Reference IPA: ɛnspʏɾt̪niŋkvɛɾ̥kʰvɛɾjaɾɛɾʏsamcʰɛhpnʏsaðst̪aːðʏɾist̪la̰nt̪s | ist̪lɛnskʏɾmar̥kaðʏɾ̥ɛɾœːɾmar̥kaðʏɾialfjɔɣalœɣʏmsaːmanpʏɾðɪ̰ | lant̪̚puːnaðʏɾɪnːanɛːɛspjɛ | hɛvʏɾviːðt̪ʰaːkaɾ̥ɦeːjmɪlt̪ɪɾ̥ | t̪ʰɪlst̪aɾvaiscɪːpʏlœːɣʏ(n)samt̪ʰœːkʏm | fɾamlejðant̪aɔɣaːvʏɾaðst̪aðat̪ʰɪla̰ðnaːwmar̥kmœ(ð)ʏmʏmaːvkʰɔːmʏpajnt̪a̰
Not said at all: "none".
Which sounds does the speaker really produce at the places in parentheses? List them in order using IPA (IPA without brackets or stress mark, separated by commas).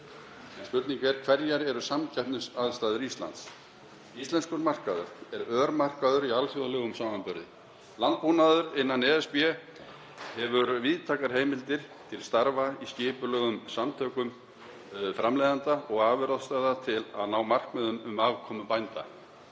m, ð